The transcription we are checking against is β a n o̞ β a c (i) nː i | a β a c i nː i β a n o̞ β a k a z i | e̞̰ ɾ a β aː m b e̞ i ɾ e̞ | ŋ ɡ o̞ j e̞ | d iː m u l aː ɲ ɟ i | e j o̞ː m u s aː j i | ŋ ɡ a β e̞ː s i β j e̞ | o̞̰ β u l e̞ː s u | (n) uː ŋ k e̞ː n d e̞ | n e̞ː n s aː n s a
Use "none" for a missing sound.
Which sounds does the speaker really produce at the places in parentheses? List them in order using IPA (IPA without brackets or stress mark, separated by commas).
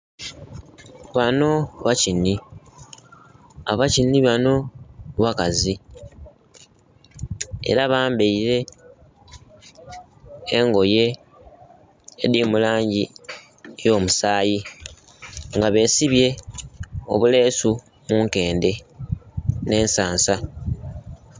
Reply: i, m